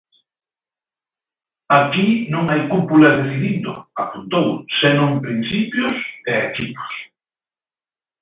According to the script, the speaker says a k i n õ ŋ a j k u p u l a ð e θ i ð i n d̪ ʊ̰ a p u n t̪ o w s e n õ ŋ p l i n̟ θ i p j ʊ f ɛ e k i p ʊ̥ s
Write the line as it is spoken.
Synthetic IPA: a k i n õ ŋ a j k u p u l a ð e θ i ð i n d̪ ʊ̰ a p u n t̪ o w s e n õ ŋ p ɾ i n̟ θ i p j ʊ s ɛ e k i p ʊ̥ s